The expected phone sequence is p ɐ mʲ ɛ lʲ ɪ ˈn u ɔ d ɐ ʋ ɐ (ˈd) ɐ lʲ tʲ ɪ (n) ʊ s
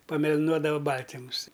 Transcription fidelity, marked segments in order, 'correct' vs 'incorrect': incorrect: b, incorrect: m

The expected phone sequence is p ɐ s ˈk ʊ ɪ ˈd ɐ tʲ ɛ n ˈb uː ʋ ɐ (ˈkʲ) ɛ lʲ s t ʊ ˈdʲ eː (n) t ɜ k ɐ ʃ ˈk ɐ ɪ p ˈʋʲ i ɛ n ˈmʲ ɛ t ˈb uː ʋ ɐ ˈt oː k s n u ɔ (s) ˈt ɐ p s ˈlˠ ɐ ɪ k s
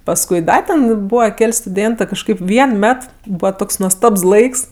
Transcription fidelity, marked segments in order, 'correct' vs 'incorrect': correct, correct, correct

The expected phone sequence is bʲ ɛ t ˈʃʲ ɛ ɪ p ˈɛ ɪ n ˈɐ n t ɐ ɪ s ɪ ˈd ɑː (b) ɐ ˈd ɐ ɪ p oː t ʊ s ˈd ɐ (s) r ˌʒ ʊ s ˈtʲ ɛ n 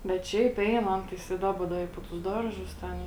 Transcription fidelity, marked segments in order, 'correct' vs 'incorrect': correct, incorrect: none

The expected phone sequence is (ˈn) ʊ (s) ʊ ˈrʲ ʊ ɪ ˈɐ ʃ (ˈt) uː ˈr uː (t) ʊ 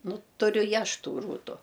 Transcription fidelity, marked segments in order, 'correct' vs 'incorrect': correct, incorrect: t, correct, correct

